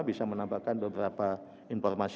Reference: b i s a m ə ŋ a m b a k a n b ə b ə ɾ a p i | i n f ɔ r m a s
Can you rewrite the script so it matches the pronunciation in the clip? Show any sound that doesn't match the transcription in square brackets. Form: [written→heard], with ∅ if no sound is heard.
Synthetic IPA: b i s a m ə [ŋ→n] a m b a k a n b ə b ə ɾ a p [i→a] | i n f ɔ r m a s